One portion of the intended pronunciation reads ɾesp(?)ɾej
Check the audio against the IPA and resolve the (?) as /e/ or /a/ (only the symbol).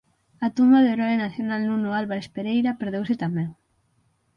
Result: e